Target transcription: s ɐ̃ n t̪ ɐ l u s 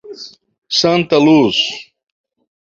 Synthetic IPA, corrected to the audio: s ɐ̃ n t̪ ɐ l u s